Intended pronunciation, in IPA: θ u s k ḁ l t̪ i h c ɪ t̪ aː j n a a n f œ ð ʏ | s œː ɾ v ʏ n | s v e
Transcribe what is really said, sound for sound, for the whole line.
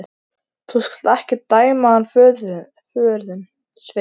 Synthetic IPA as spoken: θ u s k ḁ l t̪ ɛ h c ɪ t̪ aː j m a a n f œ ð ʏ | f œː ɾ ð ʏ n | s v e